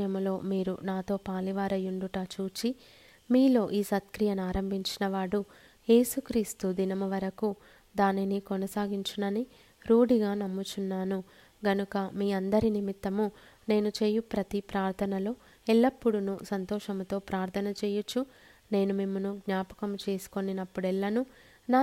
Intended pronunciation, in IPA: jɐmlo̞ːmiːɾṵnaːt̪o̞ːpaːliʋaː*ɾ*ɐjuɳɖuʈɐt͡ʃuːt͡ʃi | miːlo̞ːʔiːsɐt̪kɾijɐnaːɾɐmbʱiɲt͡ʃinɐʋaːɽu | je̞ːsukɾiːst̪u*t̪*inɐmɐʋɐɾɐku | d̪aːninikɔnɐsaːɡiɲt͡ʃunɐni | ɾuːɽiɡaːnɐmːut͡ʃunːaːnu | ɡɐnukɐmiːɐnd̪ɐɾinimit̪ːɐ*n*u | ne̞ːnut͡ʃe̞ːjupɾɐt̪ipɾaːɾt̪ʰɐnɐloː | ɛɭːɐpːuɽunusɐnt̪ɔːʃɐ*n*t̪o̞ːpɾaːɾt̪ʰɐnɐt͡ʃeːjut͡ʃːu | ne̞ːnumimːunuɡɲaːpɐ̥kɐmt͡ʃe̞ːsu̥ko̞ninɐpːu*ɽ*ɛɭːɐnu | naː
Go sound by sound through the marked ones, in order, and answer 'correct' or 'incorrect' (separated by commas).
correct, incorrect, incorrect, incorrect, correct